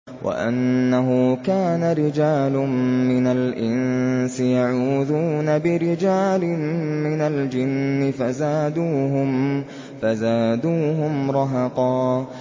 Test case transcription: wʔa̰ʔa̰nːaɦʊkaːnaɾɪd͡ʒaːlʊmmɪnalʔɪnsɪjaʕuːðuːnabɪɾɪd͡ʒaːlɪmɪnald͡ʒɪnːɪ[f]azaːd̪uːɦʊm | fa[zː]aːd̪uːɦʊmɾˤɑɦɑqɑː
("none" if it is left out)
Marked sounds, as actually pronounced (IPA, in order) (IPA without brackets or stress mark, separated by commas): f, z